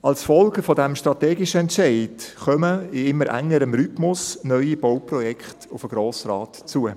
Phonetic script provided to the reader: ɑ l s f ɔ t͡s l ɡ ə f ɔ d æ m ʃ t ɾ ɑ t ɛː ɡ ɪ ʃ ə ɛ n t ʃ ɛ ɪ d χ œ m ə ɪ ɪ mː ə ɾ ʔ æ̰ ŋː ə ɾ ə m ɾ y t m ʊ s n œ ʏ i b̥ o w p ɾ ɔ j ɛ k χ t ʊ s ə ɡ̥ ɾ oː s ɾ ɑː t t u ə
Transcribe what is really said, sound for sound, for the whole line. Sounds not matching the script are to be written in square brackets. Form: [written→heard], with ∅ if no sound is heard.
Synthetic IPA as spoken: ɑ l s f ɔ [t͡s→∅] l ɡ ə f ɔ d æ m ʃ t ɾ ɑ t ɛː ɡ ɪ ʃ ə ɛ n t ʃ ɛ ɪ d χ œ m ə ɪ ɪ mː ə ɾ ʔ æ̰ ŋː ə ɾ ə m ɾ y t m ʊ s n œ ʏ i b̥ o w p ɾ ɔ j ɛ k χ t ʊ [s→f] ə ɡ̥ ɾ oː s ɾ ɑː t [t→t͡s] u ə